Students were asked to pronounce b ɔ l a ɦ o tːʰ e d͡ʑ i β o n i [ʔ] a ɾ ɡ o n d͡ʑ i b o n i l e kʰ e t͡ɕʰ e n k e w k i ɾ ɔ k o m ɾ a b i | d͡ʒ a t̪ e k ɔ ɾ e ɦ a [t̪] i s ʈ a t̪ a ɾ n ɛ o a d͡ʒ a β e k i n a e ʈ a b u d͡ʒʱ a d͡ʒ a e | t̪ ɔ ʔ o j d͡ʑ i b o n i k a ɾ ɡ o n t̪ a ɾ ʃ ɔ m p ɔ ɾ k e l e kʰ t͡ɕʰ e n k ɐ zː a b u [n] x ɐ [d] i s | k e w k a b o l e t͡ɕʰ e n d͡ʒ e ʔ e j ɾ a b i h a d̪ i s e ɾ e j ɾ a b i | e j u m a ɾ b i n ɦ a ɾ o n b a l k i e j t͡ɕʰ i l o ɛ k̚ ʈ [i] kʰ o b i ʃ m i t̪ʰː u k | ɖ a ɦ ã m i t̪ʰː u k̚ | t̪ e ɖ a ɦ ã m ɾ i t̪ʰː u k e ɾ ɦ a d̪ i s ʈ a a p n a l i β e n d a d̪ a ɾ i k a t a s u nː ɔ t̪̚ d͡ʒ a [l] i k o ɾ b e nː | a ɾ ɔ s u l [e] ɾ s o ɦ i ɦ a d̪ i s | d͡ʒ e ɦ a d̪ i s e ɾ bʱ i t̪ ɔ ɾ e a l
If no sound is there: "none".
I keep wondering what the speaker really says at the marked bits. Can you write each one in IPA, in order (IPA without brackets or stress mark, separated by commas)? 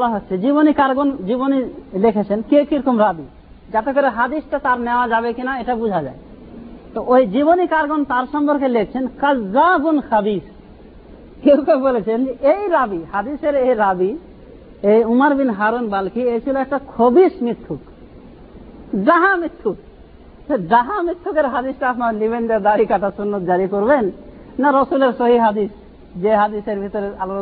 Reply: k, d̪, n, b, a, ɾ, e